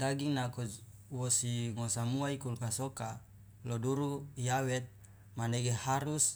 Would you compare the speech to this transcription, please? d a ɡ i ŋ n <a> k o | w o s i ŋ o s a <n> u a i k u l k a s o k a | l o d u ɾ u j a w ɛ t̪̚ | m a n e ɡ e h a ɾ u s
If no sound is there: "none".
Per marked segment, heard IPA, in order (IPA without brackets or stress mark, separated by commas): a, m